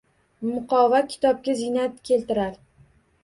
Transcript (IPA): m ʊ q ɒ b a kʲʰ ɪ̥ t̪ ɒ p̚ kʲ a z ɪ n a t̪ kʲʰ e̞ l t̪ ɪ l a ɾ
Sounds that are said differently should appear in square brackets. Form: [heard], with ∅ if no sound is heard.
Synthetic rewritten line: m ʊ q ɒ [v] a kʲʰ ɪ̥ t̪ ɒ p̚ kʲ a z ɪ n a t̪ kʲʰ e̞ l t̪ ɪ [ɾ] a ɾ